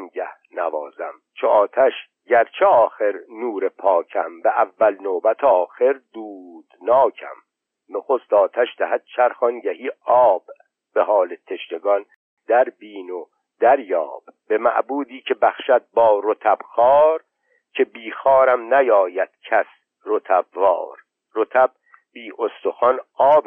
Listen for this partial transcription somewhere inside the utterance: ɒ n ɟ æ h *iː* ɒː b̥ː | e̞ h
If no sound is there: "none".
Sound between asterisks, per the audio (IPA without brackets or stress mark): iː